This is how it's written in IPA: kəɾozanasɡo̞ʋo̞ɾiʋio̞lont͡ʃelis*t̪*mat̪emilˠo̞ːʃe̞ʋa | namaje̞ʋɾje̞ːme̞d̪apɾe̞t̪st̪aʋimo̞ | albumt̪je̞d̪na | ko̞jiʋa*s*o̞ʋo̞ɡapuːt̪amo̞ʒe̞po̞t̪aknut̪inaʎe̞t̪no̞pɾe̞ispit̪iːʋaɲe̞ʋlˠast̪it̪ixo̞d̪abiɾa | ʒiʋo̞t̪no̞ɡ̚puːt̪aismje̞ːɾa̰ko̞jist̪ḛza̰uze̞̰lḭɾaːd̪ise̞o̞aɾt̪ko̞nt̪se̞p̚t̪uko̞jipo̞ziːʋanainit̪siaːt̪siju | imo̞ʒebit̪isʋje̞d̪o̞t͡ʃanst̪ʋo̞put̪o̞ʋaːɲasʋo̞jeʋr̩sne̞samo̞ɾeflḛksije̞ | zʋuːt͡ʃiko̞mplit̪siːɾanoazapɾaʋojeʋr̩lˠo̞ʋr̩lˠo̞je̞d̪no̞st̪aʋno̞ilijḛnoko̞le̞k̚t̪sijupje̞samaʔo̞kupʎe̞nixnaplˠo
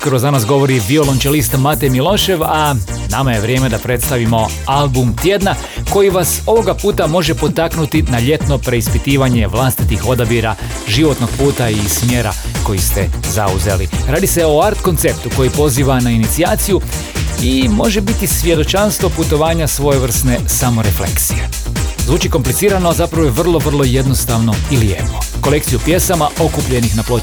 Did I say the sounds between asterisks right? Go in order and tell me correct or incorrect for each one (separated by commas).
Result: correct, correct